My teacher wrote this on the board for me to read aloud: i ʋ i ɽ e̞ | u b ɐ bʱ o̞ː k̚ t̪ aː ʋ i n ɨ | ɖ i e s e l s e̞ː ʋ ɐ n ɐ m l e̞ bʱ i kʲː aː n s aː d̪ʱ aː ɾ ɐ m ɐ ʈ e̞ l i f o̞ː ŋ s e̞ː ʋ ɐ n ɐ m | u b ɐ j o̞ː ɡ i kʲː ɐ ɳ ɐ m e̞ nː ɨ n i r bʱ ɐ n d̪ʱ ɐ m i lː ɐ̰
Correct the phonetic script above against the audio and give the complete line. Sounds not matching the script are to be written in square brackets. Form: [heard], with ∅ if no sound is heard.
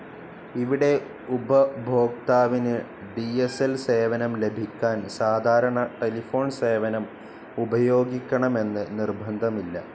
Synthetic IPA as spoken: i ʋ i ɽ e̞ | u b ɐ bʱ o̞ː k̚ t̪ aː ʋ i n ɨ | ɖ i e s e l s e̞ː ʋ ɐ n ɐ m l e̞ bʱ i kʲː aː n s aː d̪ʱ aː ɾ ɐ [ɳ] ɐ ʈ e̞ l i f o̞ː [ɳ] s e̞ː ʋ ɐ n ɐ m | u b ɐ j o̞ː ɡ i kʲː ɐ ɳ ɐ m e̞ nː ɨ n i r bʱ ɐ n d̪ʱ ɐ m i lː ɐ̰